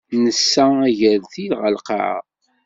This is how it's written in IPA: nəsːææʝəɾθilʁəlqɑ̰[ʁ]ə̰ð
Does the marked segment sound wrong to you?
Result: yes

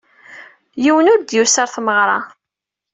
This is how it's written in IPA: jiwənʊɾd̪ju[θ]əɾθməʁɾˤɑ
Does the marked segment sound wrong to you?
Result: yes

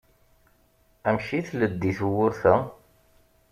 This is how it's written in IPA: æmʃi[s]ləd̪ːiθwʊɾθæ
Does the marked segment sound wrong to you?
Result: yes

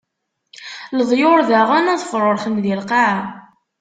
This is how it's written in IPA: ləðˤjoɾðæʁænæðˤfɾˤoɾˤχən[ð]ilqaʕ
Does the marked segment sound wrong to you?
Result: no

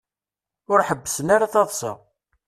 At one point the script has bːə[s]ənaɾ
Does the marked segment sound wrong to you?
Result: no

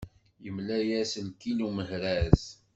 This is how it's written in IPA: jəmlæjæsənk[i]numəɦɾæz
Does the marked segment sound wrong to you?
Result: no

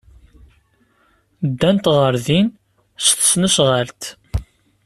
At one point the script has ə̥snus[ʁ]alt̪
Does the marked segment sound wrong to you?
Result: no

